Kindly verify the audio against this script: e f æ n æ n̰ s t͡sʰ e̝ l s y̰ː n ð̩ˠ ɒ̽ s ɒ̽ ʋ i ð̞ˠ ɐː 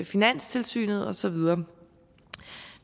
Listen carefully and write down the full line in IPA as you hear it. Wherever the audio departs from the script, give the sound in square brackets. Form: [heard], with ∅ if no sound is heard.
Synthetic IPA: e f [i] n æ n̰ s t͡sʰ e̝ l s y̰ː n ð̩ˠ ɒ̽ s ɒ̽ ʋ i ð̞ˠ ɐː